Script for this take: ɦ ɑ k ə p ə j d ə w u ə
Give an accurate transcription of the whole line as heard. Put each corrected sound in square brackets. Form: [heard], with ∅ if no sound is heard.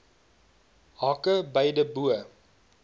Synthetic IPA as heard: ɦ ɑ k ə [b] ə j d ə [b] u ə

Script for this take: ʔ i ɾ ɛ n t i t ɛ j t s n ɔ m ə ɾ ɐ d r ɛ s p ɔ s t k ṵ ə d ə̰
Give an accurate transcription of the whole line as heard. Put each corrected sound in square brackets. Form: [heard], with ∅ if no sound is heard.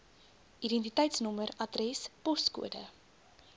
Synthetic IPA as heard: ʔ i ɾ ɛ n t i t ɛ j t s n ɔ m ə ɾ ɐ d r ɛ s p ɔ s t k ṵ ə d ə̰

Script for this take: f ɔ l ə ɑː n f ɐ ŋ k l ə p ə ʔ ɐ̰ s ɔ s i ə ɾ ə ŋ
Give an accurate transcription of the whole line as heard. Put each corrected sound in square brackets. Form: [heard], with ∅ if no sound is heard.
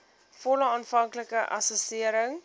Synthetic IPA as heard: f ɔ l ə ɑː n f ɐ ŋ k l ə [k] ə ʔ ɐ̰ s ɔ s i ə ɾ ə ŋ

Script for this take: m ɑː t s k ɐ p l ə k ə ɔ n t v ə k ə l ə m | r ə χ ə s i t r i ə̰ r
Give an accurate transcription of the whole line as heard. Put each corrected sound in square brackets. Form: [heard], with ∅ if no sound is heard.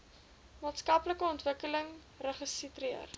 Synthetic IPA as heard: m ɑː t s k ɐ p l ə k ə ɔ n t v ə k ə l ə [ŋ] | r ə χ ə s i t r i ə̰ r

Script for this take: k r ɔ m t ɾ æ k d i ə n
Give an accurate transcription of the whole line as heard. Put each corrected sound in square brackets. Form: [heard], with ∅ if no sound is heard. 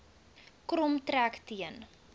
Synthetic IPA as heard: k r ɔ m t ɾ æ k [t] i ə n

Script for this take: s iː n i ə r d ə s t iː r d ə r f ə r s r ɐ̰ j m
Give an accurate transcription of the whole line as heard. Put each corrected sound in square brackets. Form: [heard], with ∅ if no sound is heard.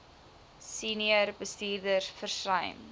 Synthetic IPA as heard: s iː n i ə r [b] ə s t iː r d ə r f ə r s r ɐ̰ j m

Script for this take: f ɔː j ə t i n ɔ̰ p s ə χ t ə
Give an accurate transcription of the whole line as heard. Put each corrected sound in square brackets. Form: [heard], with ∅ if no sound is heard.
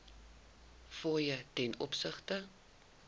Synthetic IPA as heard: f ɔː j ə t [ɛ] n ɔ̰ p s ə χ t ə

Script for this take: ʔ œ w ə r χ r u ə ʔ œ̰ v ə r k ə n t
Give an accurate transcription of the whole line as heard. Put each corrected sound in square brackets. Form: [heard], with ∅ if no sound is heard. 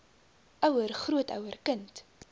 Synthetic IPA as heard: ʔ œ w ə r χ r u ə [t] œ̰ [w] ə r k ə n t

